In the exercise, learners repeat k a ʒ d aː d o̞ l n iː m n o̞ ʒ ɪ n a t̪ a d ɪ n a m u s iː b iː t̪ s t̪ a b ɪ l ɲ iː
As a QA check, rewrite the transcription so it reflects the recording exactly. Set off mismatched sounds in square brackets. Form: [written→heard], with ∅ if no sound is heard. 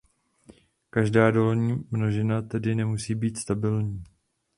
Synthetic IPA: k a ʒ d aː d o̞ l [n→ɲ] iː m n o̞ ʒ ɪ n a t̪ [a→ɛ] d ɪ n [a→ɛ] m u s iː b iː t̪ s t̪ a b ɪ l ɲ iː